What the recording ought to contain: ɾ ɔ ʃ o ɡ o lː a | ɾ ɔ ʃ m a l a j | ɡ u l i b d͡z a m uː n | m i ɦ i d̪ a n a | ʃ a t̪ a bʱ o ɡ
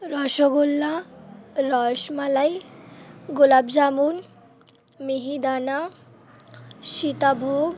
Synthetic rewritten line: ɾ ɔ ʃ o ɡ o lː a | ɾ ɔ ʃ m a l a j | ɡ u l a b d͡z a m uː n | m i ɦ i d̪ a n a | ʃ i t̪ a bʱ o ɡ

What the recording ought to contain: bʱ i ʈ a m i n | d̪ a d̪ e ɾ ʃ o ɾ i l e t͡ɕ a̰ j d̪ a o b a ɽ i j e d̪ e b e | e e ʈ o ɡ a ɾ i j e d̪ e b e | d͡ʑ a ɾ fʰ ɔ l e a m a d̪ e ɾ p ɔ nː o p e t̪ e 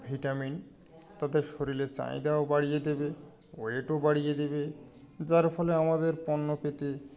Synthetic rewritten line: bʱ i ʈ a m i n | t̪ a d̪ e ɾ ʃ o ɾ i l e t͡ɕ a̰ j d̪ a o b a ɽ i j e d̪ e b e | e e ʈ o b a ɽ i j e d̪ e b e | d͡ʑ a ɾ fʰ ɔ l e a m a d̪ e ɾ p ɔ nː o p e t̪ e

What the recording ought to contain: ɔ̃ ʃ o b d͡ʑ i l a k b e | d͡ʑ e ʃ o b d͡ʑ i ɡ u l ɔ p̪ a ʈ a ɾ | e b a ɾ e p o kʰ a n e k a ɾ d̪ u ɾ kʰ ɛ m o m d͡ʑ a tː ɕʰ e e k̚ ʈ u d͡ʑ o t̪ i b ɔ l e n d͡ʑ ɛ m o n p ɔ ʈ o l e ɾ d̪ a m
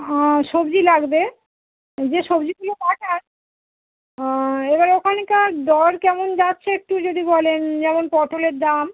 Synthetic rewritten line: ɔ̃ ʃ o b d͡ʑ i l a ɡ b e | d͡ʑ e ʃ o b d͡ʑ i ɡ u l o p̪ a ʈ a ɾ | e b a ɾ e o kʰ a n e k a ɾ d̪ ɔ ɾ k ɛ m o n d͡ʑ a tː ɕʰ e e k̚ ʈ u d͡ʑ o d̪ i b ɔ l e n d͡ʑ ɛ m o n p ɔ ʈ o l e ɾ d̪ a m

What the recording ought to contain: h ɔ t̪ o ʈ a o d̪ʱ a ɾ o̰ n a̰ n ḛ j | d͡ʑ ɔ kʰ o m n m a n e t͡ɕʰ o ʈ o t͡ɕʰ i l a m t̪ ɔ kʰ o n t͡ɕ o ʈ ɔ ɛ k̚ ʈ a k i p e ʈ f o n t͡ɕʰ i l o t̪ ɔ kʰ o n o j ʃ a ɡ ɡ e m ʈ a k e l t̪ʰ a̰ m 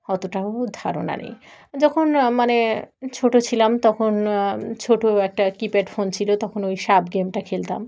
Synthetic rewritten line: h ɔ t̪ o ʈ a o d̪ʱ a ɾ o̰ n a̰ n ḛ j | d͡ʑ ɔ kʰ o n m a n e t͡ɕʰ o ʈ o t͡ɕʰ i l a m t̪ ɔ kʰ o n t͡ɕʰ o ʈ o ɛ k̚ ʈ a k i p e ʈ f o n t͡ɕʰ i l o t̪ ɔ kʰ o n o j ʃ a b ɡ e m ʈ a kʰ e l t̪ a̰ m

